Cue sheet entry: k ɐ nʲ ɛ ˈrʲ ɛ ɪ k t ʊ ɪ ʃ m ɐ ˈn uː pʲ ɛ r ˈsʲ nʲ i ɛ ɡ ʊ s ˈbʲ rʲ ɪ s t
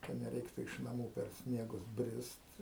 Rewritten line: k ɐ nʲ ɛ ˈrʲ ɛ ɪ k t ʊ ɪ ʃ n ɐ ˈm uː pʲ ɛ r ˈsʲ nʲ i ɛ ɡ ʊ s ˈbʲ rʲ ɪ s t